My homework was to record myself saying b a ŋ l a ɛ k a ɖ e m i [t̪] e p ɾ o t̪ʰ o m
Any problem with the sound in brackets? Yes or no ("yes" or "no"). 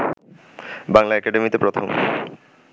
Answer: no